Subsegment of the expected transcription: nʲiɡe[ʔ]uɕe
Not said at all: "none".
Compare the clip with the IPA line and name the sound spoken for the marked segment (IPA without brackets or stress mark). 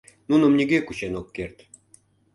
k